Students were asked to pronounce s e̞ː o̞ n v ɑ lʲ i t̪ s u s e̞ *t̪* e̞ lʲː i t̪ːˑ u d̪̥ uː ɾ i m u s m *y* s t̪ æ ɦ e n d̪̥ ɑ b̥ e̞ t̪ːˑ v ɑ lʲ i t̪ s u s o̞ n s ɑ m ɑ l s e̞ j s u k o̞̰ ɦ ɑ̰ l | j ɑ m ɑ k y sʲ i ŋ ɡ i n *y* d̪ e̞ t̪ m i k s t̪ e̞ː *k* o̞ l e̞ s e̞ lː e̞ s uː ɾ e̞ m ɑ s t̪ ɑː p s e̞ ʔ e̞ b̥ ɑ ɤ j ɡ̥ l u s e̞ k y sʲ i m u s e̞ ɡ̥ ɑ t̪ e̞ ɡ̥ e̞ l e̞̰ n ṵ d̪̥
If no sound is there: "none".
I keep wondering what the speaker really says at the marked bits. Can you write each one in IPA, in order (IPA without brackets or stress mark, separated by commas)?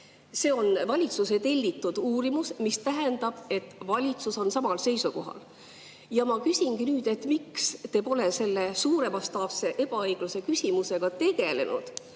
t̪, i, yː, p